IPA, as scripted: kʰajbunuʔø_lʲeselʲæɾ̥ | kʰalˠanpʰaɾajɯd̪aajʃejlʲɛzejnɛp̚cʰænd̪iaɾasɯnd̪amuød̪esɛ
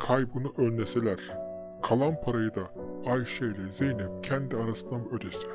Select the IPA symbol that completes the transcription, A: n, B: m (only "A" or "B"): A